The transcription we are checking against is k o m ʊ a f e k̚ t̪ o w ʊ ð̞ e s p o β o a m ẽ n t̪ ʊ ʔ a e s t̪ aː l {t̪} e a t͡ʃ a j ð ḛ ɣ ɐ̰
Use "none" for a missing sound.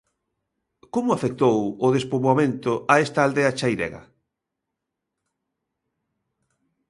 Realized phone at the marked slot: d̪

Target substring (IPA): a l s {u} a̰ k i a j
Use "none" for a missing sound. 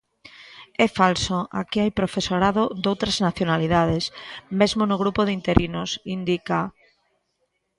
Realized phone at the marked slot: o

